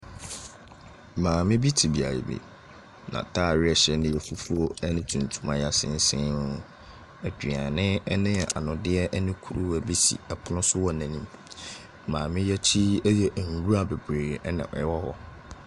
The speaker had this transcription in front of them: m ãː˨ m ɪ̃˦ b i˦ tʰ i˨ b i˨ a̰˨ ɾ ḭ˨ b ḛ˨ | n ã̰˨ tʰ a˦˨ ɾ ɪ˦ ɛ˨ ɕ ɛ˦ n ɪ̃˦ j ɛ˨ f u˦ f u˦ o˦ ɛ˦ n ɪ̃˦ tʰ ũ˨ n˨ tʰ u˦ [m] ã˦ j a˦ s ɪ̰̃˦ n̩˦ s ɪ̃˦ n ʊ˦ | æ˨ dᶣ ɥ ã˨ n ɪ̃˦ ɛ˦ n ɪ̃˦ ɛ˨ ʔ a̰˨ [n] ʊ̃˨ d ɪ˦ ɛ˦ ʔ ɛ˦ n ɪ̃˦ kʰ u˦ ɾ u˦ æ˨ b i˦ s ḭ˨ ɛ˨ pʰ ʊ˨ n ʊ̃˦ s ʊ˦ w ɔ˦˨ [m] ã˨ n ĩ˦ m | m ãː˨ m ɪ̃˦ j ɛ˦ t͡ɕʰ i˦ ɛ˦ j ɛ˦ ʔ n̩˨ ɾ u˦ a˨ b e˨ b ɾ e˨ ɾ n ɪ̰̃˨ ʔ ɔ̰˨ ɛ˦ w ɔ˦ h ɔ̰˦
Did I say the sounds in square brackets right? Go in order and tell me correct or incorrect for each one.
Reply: correct, correct, incorrect: n

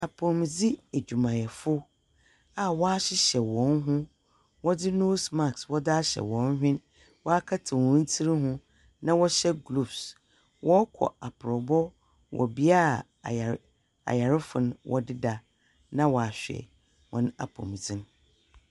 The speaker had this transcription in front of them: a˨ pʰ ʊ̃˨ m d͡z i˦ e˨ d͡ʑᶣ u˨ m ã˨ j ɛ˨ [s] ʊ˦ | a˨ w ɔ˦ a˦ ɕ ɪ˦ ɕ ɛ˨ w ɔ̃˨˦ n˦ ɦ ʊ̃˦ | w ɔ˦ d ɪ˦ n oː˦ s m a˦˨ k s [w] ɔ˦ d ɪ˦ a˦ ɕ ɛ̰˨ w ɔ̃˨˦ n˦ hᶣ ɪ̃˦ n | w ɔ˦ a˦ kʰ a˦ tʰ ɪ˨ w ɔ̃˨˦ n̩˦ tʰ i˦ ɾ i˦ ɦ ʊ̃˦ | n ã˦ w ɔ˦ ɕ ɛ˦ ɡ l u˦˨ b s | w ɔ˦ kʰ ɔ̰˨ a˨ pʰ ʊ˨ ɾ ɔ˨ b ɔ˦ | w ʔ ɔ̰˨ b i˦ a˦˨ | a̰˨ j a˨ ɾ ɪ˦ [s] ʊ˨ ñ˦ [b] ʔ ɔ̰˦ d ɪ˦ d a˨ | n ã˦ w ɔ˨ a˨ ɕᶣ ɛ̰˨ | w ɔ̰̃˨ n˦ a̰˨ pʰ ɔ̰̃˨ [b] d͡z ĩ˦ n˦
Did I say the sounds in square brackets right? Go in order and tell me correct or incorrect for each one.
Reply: incorrect: f, correct, incorrect: f, incorrect: w, incorrect: m

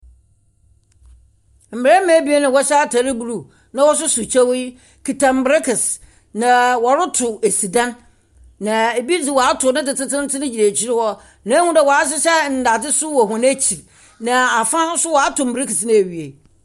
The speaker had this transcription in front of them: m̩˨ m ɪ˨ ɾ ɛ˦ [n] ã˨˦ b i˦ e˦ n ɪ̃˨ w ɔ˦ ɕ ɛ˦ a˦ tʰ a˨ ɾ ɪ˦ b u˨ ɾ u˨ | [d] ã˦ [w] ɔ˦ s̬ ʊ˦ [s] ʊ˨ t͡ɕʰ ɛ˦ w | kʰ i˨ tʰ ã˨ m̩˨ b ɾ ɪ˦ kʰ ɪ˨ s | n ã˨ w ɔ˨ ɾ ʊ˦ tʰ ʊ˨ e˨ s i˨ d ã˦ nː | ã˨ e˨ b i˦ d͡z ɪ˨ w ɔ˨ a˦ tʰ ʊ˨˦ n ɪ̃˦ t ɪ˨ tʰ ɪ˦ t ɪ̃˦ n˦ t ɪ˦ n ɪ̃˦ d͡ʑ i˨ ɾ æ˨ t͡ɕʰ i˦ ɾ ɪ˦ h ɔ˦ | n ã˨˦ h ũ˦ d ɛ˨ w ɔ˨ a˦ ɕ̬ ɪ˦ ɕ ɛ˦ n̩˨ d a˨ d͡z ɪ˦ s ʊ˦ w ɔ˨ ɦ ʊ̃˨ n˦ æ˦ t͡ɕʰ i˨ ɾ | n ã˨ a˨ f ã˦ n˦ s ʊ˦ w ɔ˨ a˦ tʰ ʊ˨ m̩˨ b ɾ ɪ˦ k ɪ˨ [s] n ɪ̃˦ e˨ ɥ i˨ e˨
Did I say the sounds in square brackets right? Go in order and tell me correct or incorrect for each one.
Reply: incorrect: m, incorrect: n, correct, correct, correct

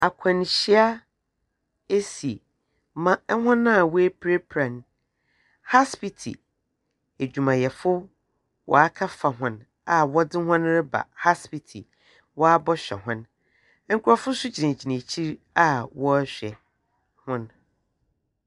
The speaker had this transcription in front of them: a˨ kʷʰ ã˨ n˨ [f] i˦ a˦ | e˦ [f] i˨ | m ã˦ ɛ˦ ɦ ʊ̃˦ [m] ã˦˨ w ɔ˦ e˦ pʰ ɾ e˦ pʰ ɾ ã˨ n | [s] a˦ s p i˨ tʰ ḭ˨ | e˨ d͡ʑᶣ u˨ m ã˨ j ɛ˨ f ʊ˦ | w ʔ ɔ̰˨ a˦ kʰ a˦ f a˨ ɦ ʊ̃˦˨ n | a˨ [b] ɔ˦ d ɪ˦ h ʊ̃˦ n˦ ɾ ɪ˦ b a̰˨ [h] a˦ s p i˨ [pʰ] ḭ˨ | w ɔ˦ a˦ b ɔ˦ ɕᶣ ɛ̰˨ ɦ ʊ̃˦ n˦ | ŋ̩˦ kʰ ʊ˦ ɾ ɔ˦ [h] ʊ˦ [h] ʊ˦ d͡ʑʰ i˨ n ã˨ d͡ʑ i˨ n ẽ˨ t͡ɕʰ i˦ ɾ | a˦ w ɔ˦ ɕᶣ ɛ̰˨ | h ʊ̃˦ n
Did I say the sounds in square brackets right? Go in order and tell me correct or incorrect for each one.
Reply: incorrect: ɕ, incorrect: s, incorrect: n, incorrect: h, incorrect: w, correct, incorrect: tʰ, incorrect: f, incorrect: s

